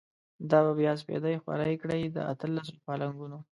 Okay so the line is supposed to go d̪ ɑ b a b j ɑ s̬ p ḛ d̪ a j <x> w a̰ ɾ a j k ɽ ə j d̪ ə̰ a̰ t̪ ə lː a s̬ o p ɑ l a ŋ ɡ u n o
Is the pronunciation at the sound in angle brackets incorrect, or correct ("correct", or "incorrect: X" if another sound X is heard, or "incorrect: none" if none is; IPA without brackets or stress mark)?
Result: correct